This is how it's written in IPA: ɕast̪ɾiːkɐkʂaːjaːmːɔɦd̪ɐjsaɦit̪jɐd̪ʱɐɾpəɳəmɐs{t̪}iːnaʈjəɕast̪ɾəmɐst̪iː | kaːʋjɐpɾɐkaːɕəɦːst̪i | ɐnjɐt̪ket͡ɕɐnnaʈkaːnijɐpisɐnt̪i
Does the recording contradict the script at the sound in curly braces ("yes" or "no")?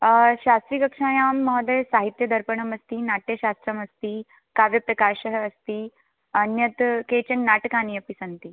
no